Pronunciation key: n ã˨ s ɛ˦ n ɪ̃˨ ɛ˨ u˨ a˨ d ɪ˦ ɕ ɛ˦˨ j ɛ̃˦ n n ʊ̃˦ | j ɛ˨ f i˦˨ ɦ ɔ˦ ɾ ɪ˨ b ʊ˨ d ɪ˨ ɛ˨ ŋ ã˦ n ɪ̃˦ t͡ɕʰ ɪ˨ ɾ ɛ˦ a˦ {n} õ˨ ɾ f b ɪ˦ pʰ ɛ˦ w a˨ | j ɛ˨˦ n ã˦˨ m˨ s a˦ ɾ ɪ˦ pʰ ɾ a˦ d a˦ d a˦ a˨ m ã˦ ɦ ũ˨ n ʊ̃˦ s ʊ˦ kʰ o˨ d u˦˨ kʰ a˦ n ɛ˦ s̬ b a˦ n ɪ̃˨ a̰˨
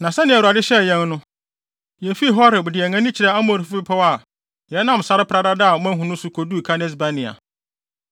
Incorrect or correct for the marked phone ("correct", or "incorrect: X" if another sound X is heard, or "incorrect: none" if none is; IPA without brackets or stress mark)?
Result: incorrect: m